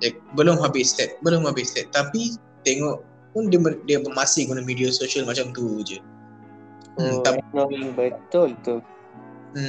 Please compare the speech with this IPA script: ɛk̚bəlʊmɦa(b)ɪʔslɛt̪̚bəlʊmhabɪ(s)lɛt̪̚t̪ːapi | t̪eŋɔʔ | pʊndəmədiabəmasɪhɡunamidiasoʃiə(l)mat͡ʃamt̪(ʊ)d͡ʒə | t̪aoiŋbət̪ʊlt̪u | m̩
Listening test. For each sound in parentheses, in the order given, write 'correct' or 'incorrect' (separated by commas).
correct, correct, correct, incorrect